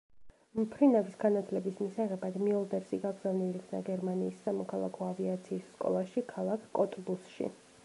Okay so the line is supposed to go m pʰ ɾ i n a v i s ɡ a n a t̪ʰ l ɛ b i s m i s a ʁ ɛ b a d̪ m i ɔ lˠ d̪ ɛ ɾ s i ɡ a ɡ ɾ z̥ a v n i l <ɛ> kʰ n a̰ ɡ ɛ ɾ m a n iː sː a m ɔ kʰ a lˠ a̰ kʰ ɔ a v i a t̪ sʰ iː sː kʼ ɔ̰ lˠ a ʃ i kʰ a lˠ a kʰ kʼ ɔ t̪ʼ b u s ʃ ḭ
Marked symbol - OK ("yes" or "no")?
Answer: no